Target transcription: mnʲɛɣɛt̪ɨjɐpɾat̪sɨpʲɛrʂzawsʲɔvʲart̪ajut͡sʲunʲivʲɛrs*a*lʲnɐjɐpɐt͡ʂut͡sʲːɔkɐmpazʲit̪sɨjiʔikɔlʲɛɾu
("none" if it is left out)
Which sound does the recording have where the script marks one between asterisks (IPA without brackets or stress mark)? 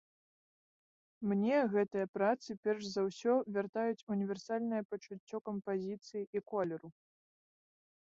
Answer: a